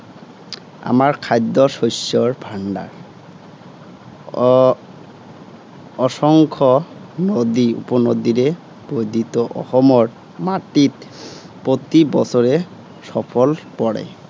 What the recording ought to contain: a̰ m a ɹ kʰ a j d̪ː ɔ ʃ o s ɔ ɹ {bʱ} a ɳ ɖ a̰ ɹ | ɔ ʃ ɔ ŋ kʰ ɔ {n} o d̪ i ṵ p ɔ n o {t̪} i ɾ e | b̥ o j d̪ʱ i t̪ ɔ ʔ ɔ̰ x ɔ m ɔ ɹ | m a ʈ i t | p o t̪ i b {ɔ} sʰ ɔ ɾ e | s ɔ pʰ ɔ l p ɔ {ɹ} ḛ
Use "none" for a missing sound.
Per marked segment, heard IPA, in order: bʱ, n, d̪, ɔ, ɽ

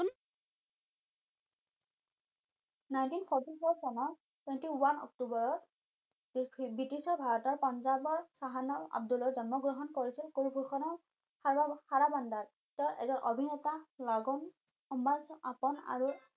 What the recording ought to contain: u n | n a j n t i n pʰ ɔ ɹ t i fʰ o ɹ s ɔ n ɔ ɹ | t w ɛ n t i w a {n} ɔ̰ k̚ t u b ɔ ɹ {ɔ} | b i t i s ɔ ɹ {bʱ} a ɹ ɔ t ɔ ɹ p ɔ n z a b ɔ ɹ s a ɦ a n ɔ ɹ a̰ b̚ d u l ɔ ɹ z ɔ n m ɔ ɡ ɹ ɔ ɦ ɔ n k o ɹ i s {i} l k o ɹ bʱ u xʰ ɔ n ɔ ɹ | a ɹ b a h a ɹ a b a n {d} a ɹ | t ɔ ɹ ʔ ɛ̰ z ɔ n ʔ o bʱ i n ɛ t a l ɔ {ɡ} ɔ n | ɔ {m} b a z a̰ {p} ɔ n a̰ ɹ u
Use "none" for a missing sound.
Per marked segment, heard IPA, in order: n, ɔ, bʱ, i, d, ɡ, m, p

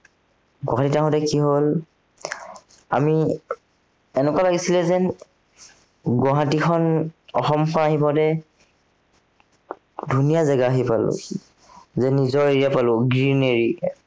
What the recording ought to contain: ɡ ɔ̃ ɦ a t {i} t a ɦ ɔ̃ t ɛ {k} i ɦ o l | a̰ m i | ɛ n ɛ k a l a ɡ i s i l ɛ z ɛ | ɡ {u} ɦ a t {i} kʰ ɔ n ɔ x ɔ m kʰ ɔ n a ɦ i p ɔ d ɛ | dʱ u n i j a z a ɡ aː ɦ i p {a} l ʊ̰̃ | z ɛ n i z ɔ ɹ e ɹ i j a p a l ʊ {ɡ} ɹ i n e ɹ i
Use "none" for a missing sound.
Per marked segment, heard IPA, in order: i, k, ɔ, i, a, ɡ

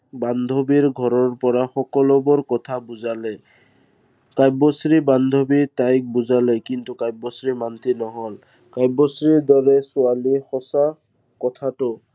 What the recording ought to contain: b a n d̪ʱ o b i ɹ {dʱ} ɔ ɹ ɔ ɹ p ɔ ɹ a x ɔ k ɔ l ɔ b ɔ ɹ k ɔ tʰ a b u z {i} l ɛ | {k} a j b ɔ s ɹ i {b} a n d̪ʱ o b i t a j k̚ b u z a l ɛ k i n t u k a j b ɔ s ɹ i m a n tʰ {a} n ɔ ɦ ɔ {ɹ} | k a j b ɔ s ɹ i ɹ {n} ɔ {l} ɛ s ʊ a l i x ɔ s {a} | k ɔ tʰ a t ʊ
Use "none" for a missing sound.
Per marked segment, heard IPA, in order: ɡʱ, a, k, b, i, l, d, ɹ, a

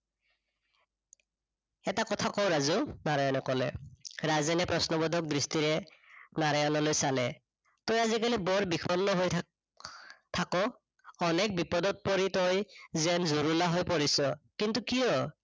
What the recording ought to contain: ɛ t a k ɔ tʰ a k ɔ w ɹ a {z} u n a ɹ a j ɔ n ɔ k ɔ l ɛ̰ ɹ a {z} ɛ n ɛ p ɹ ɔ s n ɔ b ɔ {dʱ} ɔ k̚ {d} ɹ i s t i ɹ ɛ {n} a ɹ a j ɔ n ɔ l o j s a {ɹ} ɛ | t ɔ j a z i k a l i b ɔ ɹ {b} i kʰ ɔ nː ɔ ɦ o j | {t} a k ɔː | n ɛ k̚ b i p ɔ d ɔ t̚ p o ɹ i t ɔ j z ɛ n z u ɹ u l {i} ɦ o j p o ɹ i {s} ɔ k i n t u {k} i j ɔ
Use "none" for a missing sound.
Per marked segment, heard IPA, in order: z, z, dʱ, d, n, l, b, tʰ, a, s, k

